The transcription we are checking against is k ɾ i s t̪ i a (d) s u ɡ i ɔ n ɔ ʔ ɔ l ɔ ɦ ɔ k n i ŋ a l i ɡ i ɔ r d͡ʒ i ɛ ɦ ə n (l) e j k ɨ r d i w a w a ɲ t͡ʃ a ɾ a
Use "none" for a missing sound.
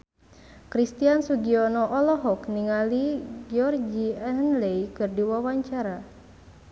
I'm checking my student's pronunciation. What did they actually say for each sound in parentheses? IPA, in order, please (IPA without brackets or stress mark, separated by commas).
n, l